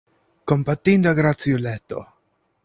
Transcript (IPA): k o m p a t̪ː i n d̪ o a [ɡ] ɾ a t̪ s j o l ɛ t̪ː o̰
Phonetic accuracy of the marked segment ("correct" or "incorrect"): correct